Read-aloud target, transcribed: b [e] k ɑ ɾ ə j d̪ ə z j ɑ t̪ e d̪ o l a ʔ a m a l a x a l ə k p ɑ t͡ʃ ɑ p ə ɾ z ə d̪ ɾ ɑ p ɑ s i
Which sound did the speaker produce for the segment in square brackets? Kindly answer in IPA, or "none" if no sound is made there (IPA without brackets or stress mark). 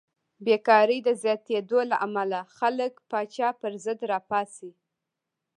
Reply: e